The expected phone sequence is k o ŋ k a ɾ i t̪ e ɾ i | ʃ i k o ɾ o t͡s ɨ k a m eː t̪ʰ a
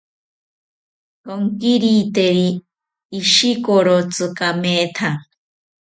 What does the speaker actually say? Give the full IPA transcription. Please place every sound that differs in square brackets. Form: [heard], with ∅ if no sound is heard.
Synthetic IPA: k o ŋ k [i] ɾ i t̪ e ɾ [iː] | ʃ i k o ɾ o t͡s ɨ k a m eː t̪ʰ a